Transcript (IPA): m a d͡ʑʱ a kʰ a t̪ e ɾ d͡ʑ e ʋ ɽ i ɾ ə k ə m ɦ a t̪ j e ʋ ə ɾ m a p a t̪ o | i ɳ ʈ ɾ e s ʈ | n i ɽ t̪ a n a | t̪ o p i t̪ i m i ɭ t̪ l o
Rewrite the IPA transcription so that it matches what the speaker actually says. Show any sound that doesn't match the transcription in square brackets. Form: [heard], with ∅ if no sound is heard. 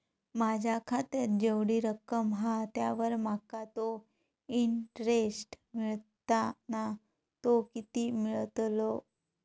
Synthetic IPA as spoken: m a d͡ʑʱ a kʰ a t̪ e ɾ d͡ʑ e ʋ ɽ i ɾ ə k ə m ɦ a t̪ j [a] ʋ ə ɾ m a [k] a t̪ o | i ɳ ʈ ɾ e s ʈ | [m] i [ɭ] t̪ a n a | t̪ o [k] i t̪ i m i ɭ t̪ l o